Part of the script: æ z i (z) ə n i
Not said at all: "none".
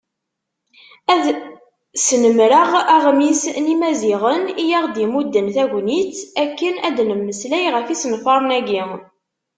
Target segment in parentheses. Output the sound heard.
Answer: ʁ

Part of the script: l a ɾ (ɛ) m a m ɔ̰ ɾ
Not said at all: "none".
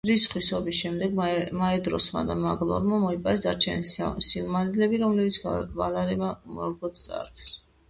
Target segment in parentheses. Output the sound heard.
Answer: ɛ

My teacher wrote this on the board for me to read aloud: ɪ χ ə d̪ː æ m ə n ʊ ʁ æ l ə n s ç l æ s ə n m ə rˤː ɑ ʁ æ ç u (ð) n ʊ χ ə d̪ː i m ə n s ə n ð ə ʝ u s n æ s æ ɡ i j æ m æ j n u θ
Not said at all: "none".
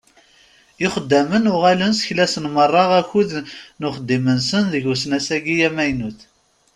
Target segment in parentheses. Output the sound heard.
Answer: ð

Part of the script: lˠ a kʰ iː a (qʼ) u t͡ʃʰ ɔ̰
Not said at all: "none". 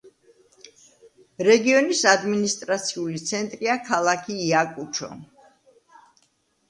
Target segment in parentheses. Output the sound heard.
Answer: kʼ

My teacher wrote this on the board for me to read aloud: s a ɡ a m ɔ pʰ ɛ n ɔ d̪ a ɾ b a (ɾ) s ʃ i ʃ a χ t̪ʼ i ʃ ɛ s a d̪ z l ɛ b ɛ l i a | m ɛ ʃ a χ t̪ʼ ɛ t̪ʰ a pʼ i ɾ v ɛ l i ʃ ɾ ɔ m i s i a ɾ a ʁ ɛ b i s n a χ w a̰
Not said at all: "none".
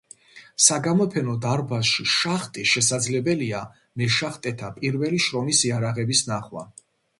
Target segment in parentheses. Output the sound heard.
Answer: none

